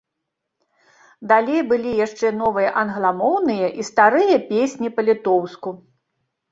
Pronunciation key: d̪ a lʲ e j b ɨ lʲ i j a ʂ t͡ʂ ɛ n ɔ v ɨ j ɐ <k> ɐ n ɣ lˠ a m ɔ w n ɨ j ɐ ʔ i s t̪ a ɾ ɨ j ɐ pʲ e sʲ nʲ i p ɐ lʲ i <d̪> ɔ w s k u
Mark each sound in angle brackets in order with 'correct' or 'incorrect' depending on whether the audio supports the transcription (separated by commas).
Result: incorrect, incorrect